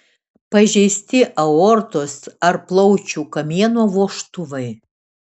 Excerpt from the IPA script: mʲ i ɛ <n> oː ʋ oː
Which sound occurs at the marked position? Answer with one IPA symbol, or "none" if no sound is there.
n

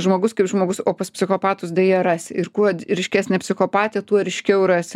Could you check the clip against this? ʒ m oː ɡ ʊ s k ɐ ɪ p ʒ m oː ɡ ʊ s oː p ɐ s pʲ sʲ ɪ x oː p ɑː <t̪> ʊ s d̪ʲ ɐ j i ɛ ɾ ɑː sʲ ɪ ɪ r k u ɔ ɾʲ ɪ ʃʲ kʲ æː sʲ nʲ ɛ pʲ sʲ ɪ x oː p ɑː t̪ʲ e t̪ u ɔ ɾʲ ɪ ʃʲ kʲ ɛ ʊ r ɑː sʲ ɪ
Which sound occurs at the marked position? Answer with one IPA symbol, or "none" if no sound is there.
t̪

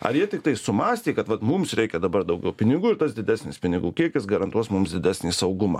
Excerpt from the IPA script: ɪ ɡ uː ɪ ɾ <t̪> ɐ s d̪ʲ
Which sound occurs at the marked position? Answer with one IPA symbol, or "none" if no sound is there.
t̪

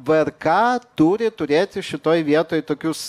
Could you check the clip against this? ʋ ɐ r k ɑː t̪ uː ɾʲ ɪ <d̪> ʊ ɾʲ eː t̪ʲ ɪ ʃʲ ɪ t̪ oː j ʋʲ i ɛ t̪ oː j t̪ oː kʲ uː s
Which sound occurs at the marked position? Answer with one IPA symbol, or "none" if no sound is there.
t̪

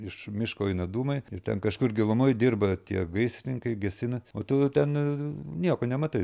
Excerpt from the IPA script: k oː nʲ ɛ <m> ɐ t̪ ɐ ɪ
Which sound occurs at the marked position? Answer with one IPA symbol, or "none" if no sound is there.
m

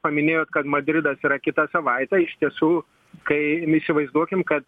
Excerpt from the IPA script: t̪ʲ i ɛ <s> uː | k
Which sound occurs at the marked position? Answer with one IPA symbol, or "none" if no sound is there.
s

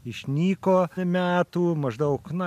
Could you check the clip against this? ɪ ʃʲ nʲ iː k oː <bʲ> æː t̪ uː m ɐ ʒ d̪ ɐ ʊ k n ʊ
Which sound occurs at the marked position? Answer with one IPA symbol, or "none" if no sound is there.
mʲ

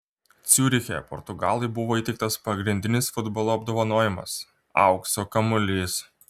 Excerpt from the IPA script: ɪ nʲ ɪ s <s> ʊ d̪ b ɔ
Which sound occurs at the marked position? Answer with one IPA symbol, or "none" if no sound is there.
f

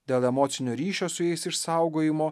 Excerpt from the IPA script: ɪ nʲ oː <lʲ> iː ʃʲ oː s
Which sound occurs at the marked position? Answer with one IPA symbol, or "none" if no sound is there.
ɾʲ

